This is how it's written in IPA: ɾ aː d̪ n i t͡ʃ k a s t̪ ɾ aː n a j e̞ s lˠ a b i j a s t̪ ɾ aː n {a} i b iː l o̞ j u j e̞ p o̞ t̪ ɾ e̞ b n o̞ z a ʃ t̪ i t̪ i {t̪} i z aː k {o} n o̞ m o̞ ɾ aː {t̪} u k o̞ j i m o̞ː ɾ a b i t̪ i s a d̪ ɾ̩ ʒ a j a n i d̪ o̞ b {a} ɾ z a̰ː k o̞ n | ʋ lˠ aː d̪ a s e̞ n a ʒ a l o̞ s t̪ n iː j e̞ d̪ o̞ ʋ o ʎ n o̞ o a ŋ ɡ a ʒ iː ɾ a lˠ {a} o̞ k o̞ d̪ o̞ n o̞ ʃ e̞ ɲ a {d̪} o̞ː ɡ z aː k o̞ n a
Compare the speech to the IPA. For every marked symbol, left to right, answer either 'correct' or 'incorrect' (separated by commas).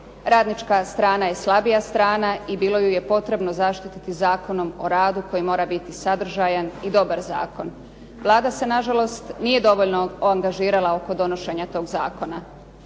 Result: correct, correct, correct, incorrect, correct, correct, incorrect